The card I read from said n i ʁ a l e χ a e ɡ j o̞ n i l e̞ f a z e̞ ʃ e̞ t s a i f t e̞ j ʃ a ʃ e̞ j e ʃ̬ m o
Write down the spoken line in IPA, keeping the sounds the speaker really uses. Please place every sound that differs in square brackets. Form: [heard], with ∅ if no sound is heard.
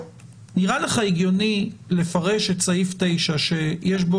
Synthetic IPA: n i ʁ a l e χ a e ɡ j o̞ n i l e̞ f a [ʁ] e̞ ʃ e̞ t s a i f t e̞ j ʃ a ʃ e̞ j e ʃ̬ [b] o